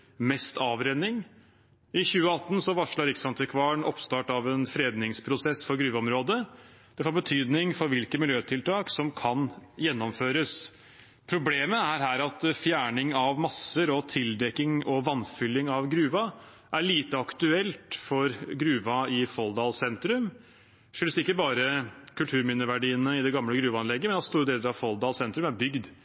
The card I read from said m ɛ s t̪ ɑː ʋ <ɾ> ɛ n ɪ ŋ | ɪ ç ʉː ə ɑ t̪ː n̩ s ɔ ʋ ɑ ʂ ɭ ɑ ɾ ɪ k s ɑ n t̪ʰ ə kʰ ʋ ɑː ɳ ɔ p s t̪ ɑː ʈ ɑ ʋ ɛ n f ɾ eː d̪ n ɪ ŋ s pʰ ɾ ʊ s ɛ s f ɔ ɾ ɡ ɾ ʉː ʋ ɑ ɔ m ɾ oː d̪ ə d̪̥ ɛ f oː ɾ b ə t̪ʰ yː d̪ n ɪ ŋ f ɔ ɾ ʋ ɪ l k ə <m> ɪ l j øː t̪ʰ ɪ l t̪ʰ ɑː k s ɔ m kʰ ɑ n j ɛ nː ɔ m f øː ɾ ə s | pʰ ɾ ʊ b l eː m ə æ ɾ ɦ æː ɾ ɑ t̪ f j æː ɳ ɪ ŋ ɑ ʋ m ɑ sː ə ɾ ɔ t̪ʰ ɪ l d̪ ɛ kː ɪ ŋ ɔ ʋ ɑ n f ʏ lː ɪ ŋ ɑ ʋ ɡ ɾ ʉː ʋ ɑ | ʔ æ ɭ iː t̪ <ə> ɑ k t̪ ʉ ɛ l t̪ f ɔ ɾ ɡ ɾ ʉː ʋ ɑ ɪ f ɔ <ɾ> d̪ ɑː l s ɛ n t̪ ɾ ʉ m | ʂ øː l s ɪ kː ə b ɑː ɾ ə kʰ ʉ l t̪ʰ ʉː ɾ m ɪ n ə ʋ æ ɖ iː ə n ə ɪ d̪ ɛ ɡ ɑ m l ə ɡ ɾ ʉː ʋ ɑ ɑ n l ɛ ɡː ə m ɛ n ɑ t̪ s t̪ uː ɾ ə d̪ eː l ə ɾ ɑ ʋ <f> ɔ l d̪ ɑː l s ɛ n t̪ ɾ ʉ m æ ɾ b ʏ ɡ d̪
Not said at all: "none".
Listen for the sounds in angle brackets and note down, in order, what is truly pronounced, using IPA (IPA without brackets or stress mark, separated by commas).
ɾ, m, ə, l, f